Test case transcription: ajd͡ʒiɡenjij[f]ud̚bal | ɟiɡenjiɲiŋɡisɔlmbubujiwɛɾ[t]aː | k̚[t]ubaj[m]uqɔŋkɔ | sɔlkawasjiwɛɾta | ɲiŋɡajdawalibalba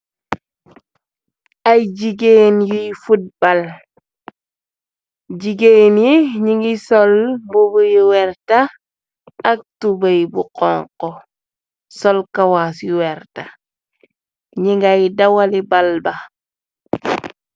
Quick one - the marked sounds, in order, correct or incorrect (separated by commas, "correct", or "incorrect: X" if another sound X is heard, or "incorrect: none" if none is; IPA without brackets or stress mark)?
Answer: correct, correct, correct, incorrect: b